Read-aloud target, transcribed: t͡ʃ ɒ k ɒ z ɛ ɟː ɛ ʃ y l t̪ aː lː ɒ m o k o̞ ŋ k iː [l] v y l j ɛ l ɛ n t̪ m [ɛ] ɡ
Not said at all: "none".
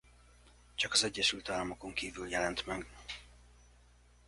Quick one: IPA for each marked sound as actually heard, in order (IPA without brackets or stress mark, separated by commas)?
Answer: none, ɛ